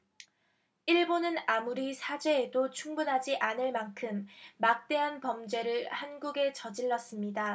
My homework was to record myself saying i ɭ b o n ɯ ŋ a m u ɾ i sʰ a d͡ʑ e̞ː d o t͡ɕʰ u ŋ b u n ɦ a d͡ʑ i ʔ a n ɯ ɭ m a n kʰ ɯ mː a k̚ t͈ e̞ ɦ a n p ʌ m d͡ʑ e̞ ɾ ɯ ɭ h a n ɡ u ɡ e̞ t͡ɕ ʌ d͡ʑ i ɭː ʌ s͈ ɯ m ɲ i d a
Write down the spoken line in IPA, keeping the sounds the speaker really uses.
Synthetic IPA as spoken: i ɭ b o n ɯ n a m u ɾ i sʰ a d͡ʑ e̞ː d o t͡ɕʰ u ŋ b u n ɦ a d͡ʑ i ʔ a n ɯ ɭ m a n kʰ ɯ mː a k̚ t͈ e̞ ɦ a n p ʌ m d͡ʑ e̞ ɾ ɯ ɭ h a n ɡ u ɡ e̞ t͡ɕ ʌ d͡ʑ i ɭː ʌ s͈ ɯ m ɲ i d a